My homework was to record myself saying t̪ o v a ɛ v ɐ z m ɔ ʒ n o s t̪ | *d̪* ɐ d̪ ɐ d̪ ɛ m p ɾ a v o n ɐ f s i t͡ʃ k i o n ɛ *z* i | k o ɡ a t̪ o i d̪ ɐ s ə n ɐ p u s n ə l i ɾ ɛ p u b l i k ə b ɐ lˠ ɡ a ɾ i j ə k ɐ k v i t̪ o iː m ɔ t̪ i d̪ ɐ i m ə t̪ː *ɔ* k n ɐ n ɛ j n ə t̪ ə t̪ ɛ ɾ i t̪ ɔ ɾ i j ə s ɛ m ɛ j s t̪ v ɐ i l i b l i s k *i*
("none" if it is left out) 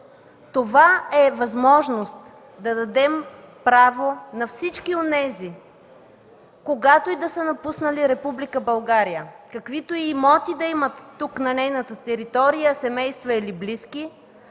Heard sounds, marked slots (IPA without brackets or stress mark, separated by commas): d̪, z, u, i